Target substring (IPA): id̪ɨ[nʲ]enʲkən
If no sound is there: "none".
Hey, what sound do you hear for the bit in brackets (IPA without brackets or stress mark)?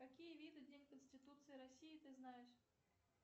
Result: dʲ